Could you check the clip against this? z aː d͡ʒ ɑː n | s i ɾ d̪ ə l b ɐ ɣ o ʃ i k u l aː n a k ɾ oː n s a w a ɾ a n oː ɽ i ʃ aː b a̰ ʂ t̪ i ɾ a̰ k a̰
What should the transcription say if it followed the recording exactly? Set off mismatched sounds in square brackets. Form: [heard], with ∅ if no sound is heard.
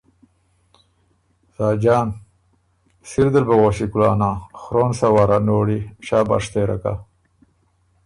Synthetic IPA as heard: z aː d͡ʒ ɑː n | s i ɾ d̪ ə l b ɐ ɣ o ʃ i k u l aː n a [x] ɾ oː n s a w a ɾ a n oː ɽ i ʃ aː b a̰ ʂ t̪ [e] ɾ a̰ k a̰